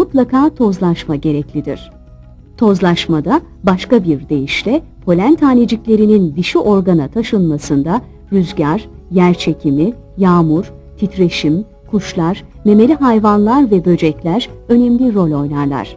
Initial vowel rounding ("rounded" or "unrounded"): rounded